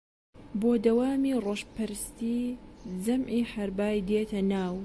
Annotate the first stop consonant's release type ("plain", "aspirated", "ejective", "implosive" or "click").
plain